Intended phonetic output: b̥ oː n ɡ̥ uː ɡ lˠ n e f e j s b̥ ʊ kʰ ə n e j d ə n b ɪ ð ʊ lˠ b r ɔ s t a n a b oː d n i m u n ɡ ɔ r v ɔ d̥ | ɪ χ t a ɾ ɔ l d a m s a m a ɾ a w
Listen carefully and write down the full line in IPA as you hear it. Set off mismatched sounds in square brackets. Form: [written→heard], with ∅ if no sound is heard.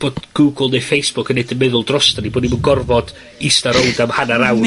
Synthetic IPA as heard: b̥ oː [n→d] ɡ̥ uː ɡ lˠ n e f e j s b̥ ʊ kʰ ə n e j d ə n [b→m] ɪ ð ʊ lˠ [b→d] r ɔ s t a n [a→i] b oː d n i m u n ɡ ɔ r v ɔ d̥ | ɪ [χ→s] t a ɾ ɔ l d a m [s→h] a [m→n] a ɾ a w